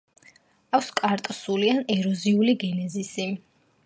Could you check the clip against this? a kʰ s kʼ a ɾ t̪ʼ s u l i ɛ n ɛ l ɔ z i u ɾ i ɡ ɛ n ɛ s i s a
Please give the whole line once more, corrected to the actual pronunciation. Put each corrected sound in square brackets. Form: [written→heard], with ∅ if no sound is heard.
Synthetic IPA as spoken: a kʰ s kʼ a ɾ t̪ʼ s u l i [ɛ→a] n ɛ [l→ɾ] ɔ z i u [ɾ→l] i ɡ ɛ n ɛ [s→z] i s [a→i]